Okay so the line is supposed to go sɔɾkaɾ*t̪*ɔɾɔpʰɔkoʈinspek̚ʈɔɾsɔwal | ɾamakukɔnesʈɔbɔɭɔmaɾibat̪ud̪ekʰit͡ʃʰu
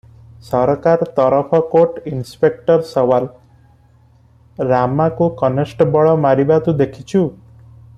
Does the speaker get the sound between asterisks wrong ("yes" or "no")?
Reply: no